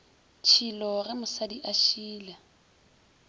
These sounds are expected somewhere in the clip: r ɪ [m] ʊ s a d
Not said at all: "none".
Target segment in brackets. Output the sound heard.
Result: m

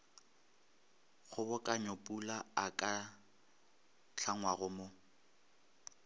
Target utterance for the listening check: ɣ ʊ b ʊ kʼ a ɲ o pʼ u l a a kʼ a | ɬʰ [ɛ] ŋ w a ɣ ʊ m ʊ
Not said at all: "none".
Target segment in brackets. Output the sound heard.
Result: a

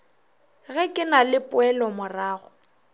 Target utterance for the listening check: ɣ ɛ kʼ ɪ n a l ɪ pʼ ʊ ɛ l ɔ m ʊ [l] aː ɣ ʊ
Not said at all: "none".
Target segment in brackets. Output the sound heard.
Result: r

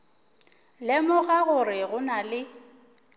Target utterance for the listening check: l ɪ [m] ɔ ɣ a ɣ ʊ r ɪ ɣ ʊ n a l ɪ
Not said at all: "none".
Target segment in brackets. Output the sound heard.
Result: m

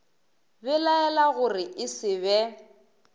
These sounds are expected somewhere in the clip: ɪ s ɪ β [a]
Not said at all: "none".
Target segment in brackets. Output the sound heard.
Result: ɛ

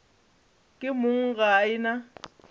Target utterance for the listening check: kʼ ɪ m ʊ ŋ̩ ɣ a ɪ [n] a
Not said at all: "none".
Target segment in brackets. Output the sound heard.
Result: n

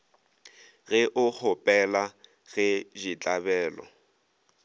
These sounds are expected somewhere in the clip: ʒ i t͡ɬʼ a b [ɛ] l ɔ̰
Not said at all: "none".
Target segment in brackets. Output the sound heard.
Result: ɛː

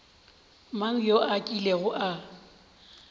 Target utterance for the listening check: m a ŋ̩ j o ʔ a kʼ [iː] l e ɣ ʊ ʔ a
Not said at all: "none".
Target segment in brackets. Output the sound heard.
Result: i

